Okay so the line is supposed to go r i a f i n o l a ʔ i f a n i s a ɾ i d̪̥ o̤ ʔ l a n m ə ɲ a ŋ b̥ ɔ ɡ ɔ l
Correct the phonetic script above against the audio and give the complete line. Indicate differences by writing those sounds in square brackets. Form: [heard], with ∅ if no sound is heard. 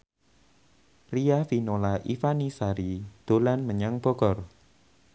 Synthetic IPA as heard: r i a f i n o l a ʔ i f a n i s a ɾ i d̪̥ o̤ [∅] l a n m ə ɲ a ŋ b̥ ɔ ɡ ɔ [r]